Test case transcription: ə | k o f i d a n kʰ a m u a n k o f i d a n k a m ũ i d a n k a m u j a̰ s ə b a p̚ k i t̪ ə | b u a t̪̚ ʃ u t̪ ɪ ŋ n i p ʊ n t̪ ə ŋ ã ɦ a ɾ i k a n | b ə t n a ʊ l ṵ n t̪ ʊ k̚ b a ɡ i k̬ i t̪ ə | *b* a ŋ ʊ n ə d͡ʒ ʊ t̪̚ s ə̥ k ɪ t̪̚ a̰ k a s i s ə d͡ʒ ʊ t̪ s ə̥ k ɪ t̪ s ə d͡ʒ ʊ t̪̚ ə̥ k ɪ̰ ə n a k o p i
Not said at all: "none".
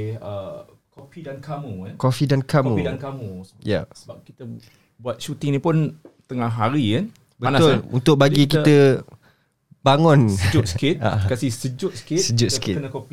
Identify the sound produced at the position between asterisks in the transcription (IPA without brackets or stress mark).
b